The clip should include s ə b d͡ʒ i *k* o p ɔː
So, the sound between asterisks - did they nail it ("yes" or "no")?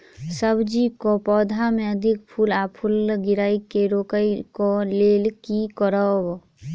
yes